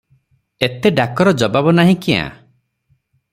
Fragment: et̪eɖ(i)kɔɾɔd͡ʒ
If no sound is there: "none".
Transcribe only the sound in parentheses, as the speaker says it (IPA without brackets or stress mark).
a